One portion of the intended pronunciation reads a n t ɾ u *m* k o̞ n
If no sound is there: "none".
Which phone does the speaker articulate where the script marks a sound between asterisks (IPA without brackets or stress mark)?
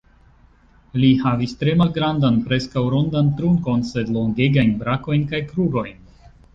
ŋ